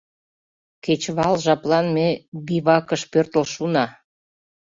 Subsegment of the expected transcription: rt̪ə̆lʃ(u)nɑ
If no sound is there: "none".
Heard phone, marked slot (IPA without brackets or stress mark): u